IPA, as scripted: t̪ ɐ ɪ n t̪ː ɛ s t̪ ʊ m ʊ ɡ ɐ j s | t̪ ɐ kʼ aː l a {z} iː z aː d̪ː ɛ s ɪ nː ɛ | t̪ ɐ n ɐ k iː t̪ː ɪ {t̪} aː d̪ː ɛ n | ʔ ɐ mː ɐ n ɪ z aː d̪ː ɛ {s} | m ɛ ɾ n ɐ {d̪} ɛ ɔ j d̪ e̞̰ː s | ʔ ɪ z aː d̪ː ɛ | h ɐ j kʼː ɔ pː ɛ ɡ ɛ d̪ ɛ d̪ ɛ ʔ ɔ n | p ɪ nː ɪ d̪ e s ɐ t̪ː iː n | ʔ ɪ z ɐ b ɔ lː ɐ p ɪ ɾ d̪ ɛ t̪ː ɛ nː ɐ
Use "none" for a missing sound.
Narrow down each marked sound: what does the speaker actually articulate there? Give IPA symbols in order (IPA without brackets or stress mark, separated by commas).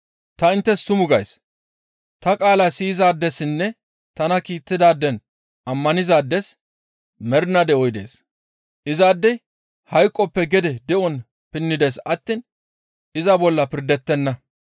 s, d̪, s, d̪